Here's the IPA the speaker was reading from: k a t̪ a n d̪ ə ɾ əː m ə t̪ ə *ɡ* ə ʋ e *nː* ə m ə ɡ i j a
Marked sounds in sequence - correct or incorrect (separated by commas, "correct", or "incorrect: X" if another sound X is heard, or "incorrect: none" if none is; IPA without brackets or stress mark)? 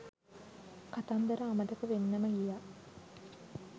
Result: incorrect: k, correct